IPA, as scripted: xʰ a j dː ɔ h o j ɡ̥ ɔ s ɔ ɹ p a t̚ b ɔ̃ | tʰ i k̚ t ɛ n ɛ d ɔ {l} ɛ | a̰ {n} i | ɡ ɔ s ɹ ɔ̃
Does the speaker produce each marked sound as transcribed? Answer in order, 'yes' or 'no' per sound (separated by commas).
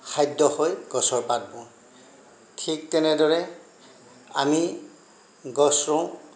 no, no